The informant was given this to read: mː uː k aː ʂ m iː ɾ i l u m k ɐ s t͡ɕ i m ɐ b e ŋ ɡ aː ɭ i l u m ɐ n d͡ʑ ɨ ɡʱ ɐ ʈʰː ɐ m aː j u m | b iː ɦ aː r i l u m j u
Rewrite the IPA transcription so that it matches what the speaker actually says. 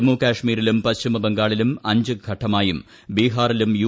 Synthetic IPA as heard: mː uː k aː ʂ m iː ɾ i l u m p ɐ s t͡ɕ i m ɐ b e ŋ ɡ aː ɭ i l u m ɐ ɲ d͡ʑ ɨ ɡʱ ɐ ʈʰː ɐ m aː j u m | b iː ɦ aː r i l u m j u

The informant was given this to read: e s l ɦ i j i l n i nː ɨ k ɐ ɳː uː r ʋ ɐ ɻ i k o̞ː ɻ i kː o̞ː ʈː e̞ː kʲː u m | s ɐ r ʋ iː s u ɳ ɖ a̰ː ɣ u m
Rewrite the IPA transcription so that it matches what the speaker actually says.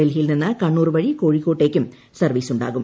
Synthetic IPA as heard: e l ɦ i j i l n i nː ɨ k ɐ ɳː uː r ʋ ɐ ɻ i k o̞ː ɻ i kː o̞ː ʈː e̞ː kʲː u m | s ɐ r ʋ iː s u ɳ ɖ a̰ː ɣ u m

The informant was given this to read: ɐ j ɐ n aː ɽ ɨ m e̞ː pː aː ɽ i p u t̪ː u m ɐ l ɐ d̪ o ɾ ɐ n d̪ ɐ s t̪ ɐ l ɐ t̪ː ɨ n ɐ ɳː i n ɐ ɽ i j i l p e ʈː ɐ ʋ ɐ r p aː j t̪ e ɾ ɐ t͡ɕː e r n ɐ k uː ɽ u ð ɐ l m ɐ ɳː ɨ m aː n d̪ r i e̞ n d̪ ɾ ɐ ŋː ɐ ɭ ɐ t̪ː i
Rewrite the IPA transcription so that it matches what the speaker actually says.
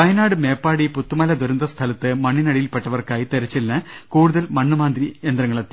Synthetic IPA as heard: ɐ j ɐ n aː ɽ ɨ m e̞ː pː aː ɽ i p u t̪ː u m ɐ l ɐ d̪ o ɾ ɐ n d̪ ɐ s t̪ʰ ɐ l ɐ t̪ː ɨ m ɐ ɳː i n ɐ ɽ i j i l p e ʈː ɐ ʋ ɐ r k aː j t̪ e ɾ ɐ t͡ɕː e l n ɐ k uː ɽ u ð ɐ l m ɐ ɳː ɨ m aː n d̪ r i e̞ n d̪ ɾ ɐ ŋː ɐ ɭ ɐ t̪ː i

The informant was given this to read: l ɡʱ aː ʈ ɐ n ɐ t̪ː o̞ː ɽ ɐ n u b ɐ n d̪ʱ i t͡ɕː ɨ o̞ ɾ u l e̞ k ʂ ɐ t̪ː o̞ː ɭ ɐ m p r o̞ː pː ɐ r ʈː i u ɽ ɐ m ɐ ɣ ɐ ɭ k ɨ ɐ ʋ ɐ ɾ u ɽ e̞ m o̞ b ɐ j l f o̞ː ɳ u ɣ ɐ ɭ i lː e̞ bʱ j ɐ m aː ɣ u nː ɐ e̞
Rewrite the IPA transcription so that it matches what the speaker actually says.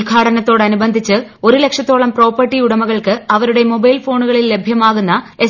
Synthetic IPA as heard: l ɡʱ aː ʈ ɐ n ɐ t̪ː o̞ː ɽ ɐ n u b ɐ n d̪ʱ i t͡ɕː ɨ o̞ ɾ u l e̞ k ʂ ɐ t̪ː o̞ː ɭ ɐ m p r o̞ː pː ɐ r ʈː i u ɽ ɐ m ɐ ɣ ɐ ɭ k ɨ ɐ ʋ ɐ ɾ u ɽ e̞ m o̞ b ɐ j l f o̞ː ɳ u ɣ ɐ ɭ i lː e̞ bʱ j ɐ m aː ɣ u nː ɐ e̞

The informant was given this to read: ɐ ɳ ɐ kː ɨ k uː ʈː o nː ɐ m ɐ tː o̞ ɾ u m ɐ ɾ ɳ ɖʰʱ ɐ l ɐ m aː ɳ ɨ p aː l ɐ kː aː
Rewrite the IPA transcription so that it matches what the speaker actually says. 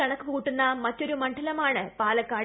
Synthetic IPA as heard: ɐ ɳ ɐ kː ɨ k uː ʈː u nː ɐ m ɐ tː o̞ ɾ u m ɐ ɳ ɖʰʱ ɐ l ɐ m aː ɳ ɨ p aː l ɐ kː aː

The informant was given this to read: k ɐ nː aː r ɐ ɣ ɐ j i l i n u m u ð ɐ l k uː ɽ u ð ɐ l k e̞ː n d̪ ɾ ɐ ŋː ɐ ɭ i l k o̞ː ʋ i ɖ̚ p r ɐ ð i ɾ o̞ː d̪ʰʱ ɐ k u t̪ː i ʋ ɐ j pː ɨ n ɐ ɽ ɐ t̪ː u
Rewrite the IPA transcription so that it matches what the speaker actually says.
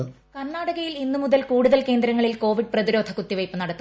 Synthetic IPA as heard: k ɐ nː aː ɽ ɐ ɣ ɐ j i l i nː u m u ð ɐ l k uː ɽ u ð ɐ l k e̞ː n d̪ ɾ ɐ ŋː ɐ ɭ i l k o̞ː ʋ i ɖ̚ p r ɐ ð i ɾ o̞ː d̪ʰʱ ɐ k u t̪ː i ʋ ɐ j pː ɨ n ɐ ɽ ɐ t̪ː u

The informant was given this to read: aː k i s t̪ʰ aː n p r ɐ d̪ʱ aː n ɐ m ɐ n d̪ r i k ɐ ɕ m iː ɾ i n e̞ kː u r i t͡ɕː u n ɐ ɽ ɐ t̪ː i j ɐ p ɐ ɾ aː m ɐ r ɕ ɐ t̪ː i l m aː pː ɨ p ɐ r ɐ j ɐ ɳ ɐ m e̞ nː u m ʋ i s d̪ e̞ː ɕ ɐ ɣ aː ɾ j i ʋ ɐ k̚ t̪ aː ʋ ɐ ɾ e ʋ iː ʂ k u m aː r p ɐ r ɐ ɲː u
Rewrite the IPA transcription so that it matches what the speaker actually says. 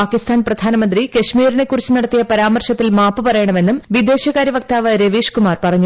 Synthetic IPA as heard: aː k i s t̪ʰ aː n p r ɐ d̪ʱ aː n ɐ m ɐ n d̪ r i k ɐ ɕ m iː ɾ i n e̞ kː u r i t͡ɕː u n ɐ ɽ ɐ t̪ː i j ɐ p ɐ ɾ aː m ɐ r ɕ ɐ t̪ː i l m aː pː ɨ p ɐ r ɐ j ɐ ɳ ɐ m e̞ nː u m ʋ i d̪ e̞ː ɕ ɐ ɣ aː ɾ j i ʋ ɐ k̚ t̪ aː ʋ ɐ ɾ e ʋ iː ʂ k u m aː r p ɐ r ɐ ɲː u

